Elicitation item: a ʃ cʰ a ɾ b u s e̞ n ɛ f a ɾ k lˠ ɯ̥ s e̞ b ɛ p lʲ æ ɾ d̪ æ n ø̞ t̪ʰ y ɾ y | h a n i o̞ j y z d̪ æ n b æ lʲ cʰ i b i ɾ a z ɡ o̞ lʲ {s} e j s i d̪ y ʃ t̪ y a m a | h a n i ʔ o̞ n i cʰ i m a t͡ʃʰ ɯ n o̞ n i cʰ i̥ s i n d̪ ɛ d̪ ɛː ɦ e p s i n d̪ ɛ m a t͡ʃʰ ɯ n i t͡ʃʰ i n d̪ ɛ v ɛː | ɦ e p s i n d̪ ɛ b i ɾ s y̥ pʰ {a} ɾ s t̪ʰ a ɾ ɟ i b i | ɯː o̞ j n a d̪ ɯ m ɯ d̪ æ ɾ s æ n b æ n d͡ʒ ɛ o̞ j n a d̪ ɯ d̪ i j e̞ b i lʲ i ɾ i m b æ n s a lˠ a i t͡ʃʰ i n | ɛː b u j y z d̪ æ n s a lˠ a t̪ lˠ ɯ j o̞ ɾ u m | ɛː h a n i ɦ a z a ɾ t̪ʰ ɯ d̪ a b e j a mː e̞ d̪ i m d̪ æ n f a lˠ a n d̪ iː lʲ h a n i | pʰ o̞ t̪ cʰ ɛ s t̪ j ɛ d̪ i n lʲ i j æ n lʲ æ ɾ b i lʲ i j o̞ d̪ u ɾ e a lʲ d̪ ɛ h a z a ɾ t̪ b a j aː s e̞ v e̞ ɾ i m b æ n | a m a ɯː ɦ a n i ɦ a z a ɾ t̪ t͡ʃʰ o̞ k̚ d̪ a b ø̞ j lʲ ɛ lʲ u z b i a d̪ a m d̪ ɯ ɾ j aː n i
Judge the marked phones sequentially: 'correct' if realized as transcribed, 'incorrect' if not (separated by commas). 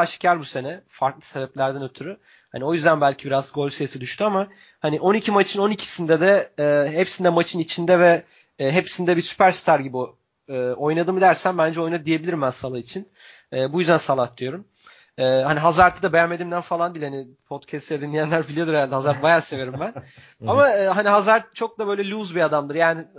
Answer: correct, incorrect